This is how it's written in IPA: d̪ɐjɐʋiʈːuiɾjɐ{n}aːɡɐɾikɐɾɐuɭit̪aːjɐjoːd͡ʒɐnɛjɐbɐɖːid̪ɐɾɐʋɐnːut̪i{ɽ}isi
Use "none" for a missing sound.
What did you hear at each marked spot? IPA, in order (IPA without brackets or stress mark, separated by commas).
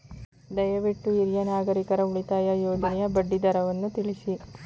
n, ɭ